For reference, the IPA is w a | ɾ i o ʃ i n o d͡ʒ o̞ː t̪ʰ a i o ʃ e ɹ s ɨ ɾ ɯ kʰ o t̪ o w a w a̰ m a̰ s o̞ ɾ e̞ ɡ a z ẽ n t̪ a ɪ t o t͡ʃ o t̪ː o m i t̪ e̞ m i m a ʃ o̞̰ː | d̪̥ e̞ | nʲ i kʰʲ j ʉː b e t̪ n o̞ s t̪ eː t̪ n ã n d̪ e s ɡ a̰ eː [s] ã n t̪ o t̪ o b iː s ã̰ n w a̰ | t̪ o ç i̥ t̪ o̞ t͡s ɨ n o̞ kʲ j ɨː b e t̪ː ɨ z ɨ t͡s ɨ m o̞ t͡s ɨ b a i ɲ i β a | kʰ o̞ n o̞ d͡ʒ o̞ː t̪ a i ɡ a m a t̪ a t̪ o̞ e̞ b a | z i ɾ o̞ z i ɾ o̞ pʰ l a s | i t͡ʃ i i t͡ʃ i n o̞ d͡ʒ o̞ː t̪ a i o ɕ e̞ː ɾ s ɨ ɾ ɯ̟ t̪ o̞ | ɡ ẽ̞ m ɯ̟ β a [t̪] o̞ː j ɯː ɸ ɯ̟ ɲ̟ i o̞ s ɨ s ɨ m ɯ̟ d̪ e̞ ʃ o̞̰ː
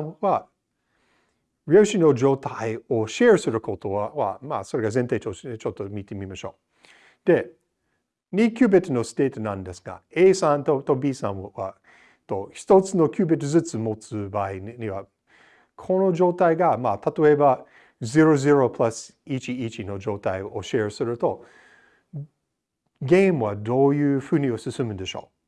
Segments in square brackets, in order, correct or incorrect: correct, incorrect: d̪

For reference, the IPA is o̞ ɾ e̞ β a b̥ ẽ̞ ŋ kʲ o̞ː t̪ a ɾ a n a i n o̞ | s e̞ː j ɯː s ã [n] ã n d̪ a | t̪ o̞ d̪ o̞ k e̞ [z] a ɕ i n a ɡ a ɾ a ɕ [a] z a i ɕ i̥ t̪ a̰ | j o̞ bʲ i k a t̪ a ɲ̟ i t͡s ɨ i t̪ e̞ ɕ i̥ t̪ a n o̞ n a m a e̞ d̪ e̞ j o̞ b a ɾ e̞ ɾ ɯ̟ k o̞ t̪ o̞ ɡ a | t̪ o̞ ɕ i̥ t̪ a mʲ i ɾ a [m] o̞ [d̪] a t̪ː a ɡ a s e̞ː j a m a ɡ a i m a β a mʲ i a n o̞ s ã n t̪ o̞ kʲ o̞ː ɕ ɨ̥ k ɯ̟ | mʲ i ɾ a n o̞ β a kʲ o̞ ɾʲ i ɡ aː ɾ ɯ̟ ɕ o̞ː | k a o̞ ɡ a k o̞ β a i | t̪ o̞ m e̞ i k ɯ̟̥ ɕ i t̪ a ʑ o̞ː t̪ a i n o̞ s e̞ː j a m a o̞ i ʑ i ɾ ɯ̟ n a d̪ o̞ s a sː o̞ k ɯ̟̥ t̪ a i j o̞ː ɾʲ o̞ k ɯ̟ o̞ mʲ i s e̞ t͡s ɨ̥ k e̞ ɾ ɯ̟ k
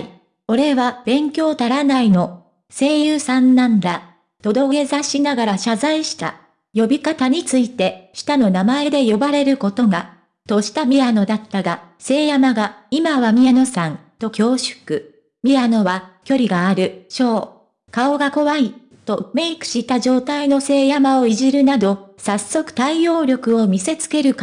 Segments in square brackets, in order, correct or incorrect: incorrect: nː, correct, correct, incorrect: n, correct

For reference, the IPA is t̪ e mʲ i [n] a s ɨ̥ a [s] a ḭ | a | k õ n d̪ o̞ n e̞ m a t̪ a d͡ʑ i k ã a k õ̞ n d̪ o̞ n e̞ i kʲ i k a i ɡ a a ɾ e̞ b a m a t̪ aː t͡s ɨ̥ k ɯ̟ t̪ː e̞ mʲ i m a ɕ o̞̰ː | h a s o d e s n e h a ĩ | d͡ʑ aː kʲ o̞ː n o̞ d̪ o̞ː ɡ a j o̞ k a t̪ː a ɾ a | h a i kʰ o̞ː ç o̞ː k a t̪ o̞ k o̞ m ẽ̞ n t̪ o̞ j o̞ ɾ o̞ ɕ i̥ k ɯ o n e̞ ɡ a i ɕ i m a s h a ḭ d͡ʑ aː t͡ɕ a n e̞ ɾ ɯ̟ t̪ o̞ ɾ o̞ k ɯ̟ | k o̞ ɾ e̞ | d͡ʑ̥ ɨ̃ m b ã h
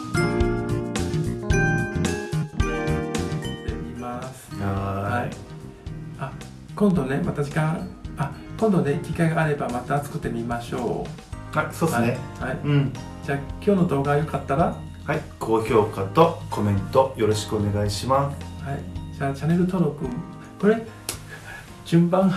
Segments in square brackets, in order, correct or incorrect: incorrect: m, incorrect: h

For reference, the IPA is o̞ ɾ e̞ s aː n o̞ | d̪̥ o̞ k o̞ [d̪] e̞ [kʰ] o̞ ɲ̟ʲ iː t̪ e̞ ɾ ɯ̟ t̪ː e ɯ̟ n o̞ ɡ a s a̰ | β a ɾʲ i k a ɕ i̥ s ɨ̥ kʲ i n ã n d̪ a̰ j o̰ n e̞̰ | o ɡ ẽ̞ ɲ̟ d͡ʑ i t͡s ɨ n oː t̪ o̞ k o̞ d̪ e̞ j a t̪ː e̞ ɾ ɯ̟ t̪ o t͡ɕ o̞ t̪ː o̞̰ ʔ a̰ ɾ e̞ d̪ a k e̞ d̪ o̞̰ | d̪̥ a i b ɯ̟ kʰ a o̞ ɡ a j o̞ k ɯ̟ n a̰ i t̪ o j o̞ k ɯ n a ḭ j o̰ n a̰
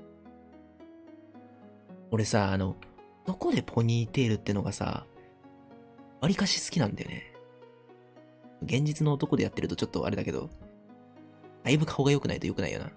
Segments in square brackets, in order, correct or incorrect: correct, incorrect: pʰ

